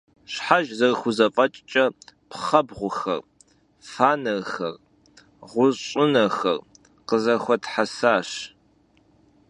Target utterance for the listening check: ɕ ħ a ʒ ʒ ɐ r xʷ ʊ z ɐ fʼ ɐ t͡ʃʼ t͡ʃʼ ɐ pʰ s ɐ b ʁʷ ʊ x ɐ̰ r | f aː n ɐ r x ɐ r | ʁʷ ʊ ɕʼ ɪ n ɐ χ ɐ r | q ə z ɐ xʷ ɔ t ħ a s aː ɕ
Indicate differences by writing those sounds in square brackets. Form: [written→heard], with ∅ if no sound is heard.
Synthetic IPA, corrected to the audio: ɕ ħ a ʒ [ʒ→z] ɐ r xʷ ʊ z ɐ fʼ ɐ t͡ʃʼ t͡ʃʼ ɐ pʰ [s→χ] ɐ b ʁʷ ʊ x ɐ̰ r | f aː n ɐ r x ɐ r | ʁʷ ʊ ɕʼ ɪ n ɐ [χ→x] ɐ r | q ə z ɐ xʷ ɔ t ħ a s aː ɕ